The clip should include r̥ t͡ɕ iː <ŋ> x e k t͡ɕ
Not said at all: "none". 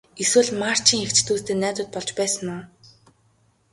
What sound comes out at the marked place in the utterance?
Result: ŋ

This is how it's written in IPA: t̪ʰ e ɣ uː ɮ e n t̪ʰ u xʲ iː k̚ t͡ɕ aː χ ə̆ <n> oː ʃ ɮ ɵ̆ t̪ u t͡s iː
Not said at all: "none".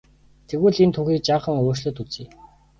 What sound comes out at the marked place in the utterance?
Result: ŋ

